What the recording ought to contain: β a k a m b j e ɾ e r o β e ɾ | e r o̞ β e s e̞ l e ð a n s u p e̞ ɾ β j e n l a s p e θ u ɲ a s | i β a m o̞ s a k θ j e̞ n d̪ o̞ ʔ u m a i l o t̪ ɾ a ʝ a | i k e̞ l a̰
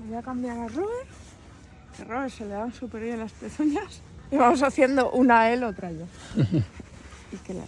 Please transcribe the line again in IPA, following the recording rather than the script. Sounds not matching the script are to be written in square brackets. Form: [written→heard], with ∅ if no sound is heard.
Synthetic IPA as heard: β a k a m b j [e→a] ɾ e r o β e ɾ | e r o̞ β e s e̞ l e ð a n s u p e̞ ɾ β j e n l a s p e θ u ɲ a s | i β a m o̞ s a [k→∅] θ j e̞ n d̪ o̞ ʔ u [m→n] a [i→e] l o t̪ ɾ a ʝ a | i k e̞ l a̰

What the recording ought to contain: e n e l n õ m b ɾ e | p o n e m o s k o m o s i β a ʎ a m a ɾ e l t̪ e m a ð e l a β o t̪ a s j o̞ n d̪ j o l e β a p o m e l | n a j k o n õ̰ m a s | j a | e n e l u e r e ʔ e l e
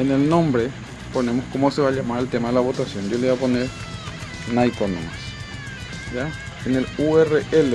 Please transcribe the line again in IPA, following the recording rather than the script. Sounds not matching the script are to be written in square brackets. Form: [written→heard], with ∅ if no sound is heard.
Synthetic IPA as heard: e n e l n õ m b ɾ e | p o n e m o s k o m o s [i→e] β a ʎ a m a ɾ e l t̪ e m a ð e l a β o t̪ a s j o̞ n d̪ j o l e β a p o [m→n] e [l→ɾ] | n a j k o n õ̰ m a s | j a | e n e l u e r e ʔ e l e

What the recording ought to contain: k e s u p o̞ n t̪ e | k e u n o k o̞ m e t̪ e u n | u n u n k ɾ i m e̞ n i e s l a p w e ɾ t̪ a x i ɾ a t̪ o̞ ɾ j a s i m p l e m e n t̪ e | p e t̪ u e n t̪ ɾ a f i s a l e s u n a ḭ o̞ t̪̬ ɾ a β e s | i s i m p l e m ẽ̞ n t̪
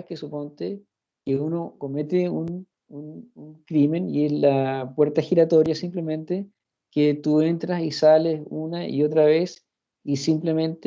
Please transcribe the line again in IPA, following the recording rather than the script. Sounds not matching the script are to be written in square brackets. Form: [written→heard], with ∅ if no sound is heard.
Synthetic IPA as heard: k e s u p o̞ n t̪ e | k e u n o k o̞ m e t̪ e u n | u n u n k ɾ i m e̞ n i e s l a p w e ɾ t̪ a x i ɾ a t̪ o̞ ɾ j a s i m p l e m e n t̪ e | [p→k] e t̪ u e n t̪ ɾ a [f→s] i s a l e s u n a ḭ o̞ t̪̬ ɾ a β e s | i s i m p l e m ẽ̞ n t̪

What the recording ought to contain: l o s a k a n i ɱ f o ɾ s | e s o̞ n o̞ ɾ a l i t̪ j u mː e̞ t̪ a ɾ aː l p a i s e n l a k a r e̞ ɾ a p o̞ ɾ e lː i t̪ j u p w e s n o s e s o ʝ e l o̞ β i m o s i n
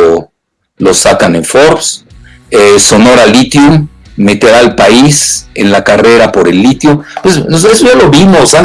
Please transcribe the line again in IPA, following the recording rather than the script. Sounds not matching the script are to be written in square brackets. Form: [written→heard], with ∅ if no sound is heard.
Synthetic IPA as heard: l o s a k a n [i→e] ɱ f o ɾ s | e s o̞ n o̞ ɾ a l i t̪ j u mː e̞ t̪ [a→e] ɾ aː l p a i s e n l a k a r e̞ ɾ a p o̞ ɾ e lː i t̪ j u p w e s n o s e s o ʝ [e→a] l o̞ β i m o s [i→a] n

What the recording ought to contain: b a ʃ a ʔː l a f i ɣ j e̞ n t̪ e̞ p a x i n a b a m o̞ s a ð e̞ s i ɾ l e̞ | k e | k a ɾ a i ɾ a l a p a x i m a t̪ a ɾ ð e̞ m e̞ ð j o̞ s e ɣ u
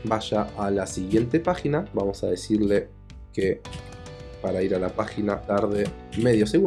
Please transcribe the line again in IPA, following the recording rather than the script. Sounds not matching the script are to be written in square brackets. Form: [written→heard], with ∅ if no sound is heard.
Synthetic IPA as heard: b a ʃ a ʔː l a [f→s] i ɣ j e̞ n t̪ e̞ p a x i n a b a m o̞ s a ð e̞ s i ɾ l e̞ | k e | [k→p] a ɾ a i ɾ a l a p a x i [m→n] a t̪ a ɾ ð e̞ m e̞ ð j o̞ s e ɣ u

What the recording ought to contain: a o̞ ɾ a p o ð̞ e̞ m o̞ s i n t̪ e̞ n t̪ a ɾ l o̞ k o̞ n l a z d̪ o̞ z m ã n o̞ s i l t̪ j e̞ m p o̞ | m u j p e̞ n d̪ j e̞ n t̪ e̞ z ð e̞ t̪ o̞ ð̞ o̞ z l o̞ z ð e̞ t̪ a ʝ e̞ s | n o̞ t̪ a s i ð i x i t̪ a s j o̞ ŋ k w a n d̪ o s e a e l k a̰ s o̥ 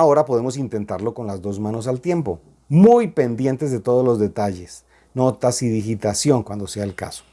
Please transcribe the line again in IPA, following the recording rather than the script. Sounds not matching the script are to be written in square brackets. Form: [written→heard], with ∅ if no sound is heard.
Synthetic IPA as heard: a o̞ ɾ a p o ð̞ e̞ m o̞ s i n t̪ e̞ n t̪ a ɾ l o̞ k o̞ n l a z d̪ o̞ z m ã n o̞ s [i→a] l t̪ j e̞ m p o̞ | m u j p e̞ n d̪ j e̞ n t̪ e̞ z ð e̞ t̪ o̞ ð̞ o̞ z l o̞ z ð e̞ t̪ a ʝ e̞ s | n o̞ t̪ a s i ð i x i t̪ a s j o̞ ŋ k w a n d̪ o s e a e l k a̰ s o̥

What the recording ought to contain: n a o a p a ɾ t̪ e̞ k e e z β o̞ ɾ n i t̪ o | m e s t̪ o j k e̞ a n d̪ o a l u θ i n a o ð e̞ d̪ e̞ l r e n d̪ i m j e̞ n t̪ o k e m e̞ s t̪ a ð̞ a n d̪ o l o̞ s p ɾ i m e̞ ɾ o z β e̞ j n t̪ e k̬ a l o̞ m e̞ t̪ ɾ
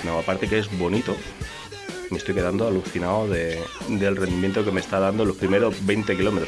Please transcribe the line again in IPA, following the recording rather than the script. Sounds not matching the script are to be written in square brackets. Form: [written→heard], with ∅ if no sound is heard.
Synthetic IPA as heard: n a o a p a ɾ t̪ e̞ k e e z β o̞ [ɾ→∅] n i t̪ o | m e s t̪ o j k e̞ a n d̪ o a l u θ i n a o ð e̞ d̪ e̞ l r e n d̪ i m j e̞ n t̪ o k e m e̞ s t̪ a ð̞ a n d̪ o l o̞ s p ɾ i m e̞ ɾ o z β e̞ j n t̪ e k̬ [a→i] l o̞ m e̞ t̪ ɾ

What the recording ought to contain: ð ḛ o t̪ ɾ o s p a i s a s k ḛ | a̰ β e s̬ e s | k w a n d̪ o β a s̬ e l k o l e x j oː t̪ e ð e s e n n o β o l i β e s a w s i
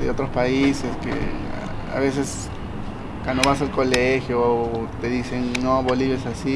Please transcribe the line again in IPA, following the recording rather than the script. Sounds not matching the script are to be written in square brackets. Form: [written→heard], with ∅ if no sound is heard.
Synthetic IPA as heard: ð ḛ o t̪ ɾ o s p a i s [a→e] s k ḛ | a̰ β e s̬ e s | k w a n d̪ o β a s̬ [e→a] l k o l e x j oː t̪ e ð [e→i] s e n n o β o l i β e s a [w→∅] s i

